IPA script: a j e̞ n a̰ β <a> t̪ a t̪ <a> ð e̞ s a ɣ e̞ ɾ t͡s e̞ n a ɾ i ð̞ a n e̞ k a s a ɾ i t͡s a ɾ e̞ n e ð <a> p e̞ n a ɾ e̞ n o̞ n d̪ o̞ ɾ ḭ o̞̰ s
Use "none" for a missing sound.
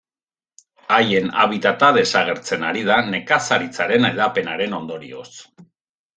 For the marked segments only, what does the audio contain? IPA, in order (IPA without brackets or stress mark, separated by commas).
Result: i, a, a